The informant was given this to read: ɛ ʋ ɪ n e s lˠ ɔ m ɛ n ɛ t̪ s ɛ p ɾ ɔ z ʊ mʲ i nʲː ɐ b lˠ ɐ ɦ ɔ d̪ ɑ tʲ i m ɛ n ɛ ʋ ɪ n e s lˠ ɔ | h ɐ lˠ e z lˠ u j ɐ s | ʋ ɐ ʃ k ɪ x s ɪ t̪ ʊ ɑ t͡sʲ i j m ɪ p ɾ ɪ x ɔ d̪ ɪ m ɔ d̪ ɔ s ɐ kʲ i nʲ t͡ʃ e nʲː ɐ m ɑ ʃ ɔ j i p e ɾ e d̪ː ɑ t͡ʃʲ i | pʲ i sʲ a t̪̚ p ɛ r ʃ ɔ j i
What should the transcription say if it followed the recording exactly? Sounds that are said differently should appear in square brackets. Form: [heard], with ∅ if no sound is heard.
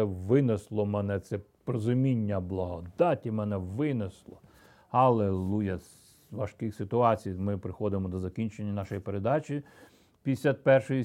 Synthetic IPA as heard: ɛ ʋ ɪ n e s lˠ ɔ m ɛ n ɛ t̪ s ɛ p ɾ ɔ z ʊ mʲ i nʲː ɐ b lˠ ɐ ɦ ɔ d̪ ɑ tʲ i m ɛ n ɛ ʋ ɪ n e s lˠ ɔ | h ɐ lˠ e [∅] lˠ u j ɐ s | ʋ ɐ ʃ k ɪ x s ɪ t̪ ʊ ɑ t͡sʲ i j m ɪ p ɾ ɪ x ɔ d̪ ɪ m ɔ d̪ ɔ [z] ɐ kʲ i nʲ t͡ʃ e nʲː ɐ [n] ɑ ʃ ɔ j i p e ɾ e [d̪] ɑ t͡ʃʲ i | pʲ i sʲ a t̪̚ p ɛ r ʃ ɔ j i